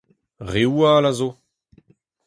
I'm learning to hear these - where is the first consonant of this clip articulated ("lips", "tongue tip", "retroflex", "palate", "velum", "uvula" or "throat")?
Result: uvula